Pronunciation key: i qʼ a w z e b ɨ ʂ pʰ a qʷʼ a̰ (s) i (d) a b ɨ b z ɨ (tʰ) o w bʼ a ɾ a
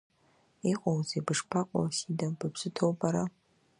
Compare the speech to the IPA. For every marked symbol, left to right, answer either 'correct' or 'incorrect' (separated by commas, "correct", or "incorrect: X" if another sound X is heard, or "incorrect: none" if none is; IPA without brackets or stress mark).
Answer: correct, correct, correct